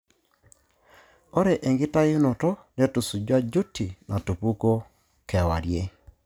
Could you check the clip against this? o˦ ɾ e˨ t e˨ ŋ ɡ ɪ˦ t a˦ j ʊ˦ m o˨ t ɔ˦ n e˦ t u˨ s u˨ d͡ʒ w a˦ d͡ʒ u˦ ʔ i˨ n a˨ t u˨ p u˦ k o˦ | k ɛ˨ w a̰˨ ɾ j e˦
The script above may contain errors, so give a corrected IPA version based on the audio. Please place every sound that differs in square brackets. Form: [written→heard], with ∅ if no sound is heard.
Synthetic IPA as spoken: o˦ ɾ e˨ [t→ʔ] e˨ ŋ ɡ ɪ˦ t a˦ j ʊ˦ [m→n] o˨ t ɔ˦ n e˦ t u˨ s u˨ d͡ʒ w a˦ d͡ʒ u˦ [ʔ→t] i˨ n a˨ t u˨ p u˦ k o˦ | k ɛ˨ w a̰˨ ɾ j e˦